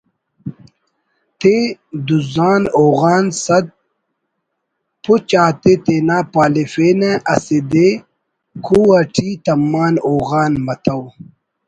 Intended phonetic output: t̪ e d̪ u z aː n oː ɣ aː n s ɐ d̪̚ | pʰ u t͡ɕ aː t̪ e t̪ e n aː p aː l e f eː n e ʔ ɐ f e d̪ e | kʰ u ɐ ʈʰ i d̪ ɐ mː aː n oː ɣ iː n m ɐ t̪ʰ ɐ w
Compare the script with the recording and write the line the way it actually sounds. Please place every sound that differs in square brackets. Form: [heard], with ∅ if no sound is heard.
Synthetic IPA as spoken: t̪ e d̪ u z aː n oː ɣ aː n s ɐ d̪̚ | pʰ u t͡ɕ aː t̪ e t̪ e n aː p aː l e f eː n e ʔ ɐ [s] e d̪ e | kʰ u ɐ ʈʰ i [t̪] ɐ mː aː n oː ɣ [aː] n m ɐ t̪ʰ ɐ w